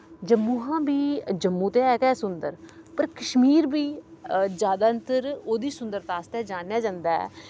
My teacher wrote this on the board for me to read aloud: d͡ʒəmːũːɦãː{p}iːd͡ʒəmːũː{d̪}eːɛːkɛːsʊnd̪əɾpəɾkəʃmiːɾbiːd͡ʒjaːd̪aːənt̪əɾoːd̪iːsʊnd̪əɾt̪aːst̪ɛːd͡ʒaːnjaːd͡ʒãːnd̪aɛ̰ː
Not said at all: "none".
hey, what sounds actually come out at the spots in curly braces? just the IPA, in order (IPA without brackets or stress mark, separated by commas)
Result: b, t̪